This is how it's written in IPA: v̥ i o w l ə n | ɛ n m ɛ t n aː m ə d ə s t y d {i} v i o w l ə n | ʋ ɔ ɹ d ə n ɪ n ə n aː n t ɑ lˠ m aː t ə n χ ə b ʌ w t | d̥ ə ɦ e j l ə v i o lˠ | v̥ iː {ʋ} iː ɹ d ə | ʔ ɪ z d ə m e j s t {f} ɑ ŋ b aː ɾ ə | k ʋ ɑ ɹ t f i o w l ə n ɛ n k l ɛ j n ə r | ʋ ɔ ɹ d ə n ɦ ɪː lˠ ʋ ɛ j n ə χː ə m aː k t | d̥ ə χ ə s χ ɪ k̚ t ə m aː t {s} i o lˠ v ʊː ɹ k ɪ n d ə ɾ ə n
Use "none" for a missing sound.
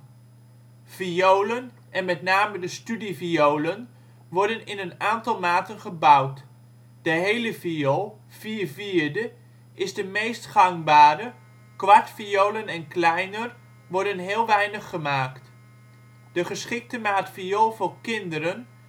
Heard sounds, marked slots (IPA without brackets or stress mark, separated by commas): i, v, χ, f